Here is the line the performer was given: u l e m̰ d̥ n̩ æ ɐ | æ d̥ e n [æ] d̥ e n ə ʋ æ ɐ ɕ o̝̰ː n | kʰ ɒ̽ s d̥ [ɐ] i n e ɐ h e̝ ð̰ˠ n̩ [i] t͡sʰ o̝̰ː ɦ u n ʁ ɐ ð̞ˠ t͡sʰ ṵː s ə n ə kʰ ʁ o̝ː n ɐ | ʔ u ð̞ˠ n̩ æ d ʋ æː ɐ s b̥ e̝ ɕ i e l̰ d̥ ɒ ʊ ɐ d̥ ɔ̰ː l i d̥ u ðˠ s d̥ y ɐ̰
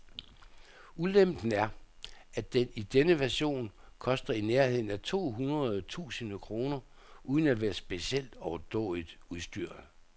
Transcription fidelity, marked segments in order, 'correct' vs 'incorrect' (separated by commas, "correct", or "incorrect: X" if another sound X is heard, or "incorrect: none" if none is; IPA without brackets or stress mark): incorrect: i, correct, incorrect: æ